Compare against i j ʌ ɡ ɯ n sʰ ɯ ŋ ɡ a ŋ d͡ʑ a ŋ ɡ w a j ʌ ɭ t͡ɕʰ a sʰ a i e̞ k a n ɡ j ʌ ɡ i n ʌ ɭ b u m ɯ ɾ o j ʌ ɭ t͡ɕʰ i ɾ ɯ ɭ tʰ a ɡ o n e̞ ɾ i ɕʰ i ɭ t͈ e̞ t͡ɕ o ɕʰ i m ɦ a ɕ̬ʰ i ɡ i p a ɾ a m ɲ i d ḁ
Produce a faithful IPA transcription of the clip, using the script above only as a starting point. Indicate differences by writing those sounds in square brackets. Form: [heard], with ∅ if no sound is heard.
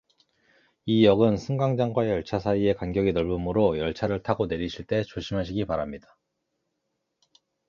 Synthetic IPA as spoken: i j ʌ ɡ ɯ n sʰ ɯ ŋ ɡ a ŋ d͡ʑ a ŋ ɡ w a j ʌ ɭ t͡ɕʰ a sʰ a i e̞ k a n ɡ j ʌ ɡ i n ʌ ɭ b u m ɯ ɾ o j ʌ ɭ t͡ɕʰ [a] ɾ ɯ ɭ tʰ a ɡ o n e̞ ɾ i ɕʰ i ɭ t͈ e̞ t͡ɕ o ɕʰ i m ɦ a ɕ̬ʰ i ɡ i p a ɾ a m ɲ i d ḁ

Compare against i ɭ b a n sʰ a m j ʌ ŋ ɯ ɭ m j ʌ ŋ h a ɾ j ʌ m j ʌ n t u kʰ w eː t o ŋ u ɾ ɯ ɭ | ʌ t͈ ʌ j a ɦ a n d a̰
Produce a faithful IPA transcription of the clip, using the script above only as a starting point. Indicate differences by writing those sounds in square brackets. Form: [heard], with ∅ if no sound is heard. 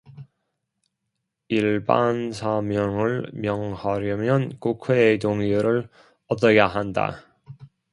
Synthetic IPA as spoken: i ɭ b a n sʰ a m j ʌ ŋ ɯ ɭ m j ʌ ŋ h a ɾ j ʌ m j ʌ n [k] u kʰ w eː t o ŋ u ɾ ɯ ɭ | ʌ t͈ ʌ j a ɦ a n d a̰

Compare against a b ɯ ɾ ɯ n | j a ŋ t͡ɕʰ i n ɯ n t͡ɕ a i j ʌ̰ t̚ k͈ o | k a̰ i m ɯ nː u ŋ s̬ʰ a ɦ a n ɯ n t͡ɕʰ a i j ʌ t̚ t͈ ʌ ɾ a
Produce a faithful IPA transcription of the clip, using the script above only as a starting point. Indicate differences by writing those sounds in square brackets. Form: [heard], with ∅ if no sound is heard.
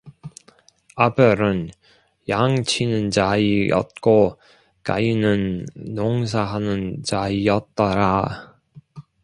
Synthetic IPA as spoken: a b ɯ ɾ ɯ n | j a ŋ t͡ɕʰ i n ɯ n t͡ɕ a i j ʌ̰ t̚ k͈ o | k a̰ i [n] ɯ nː [o] ŋ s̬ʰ a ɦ a n ɯ n [t͡ɕ] a i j ʌ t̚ t͈ ʌ ɾ a

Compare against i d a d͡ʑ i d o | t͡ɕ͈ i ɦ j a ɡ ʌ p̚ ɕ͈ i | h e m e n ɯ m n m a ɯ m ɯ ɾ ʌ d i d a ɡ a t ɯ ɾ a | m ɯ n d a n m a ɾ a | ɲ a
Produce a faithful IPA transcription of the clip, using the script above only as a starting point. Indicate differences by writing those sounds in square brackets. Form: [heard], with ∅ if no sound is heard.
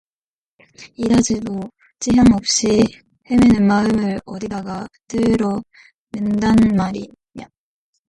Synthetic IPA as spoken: i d a d͡ʑ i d o | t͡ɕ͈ i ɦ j a [ŋ] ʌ p̚ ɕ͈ i | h e m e n ɯ [∅] n m a ɯ m ɯ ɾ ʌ d i d a ɡ a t ɯ ɾ [ʌ] | m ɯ n d a n m a ɾ [i] | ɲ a

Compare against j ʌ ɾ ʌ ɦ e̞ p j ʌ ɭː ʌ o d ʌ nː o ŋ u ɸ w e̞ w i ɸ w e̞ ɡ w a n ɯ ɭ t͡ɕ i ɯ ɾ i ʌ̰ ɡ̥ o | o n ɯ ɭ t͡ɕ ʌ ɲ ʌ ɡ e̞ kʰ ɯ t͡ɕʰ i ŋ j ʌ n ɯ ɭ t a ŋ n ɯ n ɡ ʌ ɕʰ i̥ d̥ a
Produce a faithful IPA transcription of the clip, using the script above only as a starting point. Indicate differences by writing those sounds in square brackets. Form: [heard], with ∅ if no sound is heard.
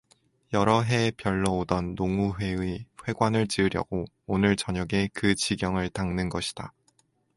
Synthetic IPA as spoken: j ʌ ɾ ʌ ɦ e̞ p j ʌ ɭː ʌ o d ʌ nː o ŋ u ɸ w e̞ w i ɸ w e̞ ɡ w a n ɯ ɭ t͡ɕ i ɯ ɾ [j] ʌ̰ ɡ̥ o | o n ɯ ɭ t͡ɕ ʌ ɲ ʌ ɡ e̞ [k] ɯ [t͡ɕ] i [ɡ] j ʌ [ŋ] ɯ ɭ t a ŋ n ɯ n ɡ ʌ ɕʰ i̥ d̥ a

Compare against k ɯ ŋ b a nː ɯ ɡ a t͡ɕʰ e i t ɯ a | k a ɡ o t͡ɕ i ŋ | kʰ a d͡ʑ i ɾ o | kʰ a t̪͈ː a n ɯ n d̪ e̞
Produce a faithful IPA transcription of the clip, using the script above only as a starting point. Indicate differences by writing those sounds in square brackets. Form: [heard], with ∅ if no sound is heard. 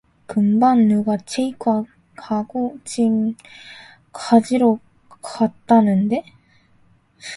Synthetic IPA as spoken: k ɯ [m] b a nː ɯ ɡ a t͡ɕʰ e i [k] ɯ a | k a ɡ o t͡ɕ i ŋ | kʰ a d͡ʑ i ɾ o | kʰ a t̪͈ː a n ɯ n d̪ e̞

